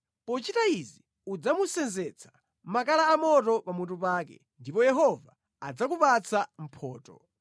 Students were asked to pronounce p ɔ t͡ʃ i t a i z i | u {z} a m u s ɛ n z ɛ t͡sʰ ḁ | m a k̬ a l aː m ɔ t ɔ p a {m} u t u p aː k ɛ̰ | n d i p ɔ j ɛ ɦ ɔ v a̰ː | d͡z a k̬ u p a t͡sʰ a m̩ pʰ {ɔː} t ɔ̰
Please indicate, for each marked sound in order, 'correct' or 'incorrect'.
incorrect: d͡z, correct, correct

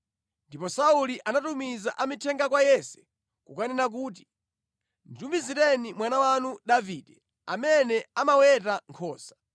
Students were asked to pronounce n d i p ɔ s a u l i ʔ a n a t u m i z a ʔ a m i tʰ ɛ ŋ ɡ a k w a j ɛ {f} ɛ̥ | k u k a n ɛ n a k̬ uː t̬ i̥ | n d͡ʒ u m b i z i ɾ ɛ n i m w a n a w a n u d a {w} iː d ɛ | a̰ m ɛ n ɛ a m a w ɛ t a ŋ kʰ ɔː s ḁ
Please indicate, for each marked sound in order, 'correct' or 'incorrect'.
incorrect: s, incorrect: v

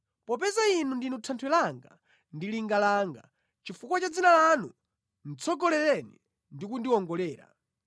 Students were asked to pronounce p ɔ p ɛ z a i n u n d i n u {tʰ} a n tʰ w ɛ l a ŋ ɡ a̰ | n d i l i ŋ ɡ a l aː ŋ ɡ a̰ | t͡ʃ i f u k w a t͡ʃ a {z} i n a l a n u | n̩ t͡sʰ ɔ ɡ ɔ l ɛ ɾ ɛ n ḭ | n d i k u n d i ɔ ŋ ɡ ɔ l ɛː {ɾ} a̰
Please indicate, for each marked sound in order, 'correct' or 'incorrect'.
correct, incorrect: d͡z, correct

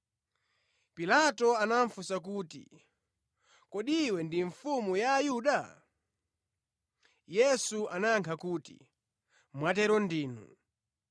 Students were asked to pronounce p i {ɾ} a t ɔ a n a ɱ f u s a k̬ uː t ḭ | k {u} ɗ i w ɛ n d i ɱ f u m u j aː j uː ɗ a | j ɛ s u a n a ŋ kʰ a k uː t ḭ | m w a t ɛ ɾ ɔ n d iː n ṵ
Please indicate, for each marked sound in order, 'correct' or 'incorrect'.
incorrect: l, incorrect: ɔ

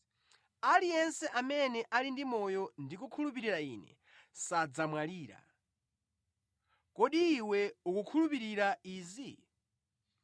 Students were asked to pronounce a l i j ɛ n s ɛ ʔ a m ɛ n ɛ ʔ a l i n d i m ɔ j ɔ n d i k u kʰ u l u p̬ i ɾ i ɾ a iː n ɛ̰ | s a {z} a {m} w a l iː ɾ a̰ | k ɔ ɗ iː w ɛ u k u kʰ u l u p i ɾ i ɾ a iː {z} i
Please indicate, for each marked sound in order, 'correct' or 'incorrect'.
incorrect: d͡z, correct, correct

